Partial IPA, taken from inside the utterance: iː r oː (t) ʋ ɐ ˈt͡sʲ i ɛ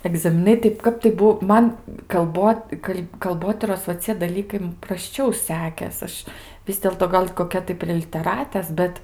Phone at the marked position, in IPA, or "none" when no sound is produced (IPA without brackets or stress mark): s